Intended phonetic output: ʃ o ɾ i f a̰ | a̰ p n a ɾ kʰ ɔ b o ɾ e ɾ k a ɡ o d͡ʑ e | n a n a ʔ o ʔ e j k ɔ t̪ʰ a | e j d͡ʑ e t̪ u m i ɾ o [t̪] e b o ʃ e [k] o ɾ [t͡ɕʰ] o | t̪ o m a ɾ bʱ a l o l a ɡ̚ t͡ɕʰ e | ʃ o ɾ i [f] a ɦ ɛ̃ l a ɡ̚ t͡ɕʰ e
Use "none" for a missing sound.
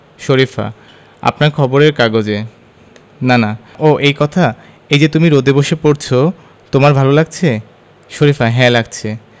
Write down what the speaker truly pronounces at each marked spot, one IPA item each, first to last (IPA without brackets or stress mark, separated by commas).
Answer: d̪, p, t͡ɕʰ, f